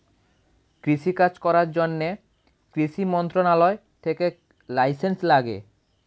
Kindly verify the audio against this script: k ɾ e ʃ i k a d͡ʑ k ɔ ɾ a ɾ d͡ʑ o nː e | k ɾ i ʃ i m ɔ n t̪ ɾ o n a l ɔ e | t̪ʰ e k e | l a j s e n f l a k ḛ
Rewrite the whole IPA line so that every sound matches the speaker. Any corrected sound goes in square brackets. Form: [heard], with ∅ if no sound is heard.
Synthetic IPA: k ɾ [i] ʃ i k a d͡ʑ k ɔ ɾ a ɾ d͡ʑ o nː e | k ɾ i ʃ i m ɔ n t̪ ɾ o n a l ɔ e | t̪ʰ e k e | l a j s e n [s] l a [ɡ] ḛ

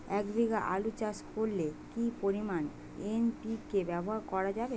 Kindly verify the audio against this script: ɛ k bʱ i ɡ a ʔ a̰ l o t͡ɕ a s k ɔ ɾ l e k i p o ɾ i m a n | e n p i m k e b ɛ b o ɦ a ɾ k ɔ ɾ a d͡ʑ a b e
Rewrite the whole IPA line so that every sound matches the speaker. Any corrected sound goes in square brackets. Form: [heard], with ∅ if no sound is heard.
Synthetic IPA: ɛ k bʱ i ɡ a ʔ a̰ l [u] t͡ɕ a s k [o] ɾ l e k i p o ɾ i m a n | e n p i [∅] k e b ɛ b o ɦ a ɾ k ɔ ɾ a d͡ʑ a b e

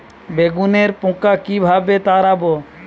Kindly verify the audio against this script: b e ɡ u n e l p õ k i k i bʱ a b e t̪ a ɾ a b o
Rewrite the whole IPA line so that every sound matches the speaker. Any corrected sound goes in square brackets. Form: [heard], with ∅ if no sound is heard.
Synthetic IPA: b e ɡ u n e [ɾ] p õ k [a] k i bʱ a b e t̪ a ɾ a b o

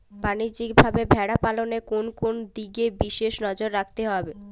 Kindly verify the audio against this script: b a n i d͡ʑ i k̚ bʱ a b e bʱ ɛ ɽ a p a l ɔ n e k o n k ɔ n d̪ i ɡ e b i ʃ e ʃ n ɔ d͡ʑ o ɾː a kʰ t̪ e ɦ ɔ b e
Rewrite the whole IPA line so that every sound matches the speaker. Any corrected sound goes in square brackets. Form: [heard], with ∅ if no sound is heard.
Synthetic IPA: b a n i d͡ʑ i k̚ bʱ a b e bʱ ɛ ɽ a p a l [o] n e k o n k [o] n d̪ i ɡ e b i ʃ e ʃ n ɔ d͡ʑ o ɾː a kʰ t̪ e ɦ ɔ b e

